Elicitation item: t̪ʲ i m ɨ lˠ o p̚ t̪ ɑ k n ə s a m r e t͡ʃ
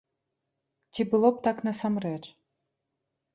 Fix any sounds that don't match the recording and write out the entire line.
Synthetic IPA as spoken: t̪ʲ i b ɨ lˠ o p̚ t̪ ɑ k n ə s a m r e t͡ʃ